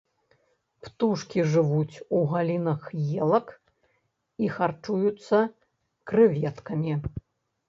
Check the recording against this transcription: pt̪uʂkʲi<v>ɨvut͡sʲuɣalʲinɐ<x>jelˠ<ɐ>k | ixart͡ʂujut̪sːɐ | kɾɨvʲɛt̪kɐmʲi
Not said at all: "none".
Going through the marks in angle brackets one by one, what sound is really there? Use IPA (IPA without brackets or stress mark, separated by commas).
ʐ, x, ɐ